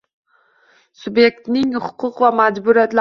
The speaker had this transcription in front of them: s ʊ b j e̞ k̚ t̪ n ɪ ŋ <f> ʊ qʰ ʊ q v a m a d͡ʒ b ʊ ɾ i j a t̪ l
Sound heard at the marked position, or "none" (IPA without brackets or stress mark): h